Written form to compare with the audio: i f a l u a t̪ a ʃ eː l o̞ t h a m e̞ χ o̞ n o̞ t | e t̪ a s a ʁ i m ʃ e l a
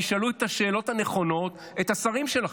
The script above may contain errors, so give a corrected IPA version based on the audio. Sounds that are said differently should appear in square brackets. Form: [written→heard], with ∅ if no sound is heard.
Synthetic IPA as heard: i [f→ʃ] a l u [a→e] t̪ a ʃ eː l o̞ t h a [m→n] e̞ χ o̞ n o̞ t | e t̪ a s a ʁ i m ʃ e l a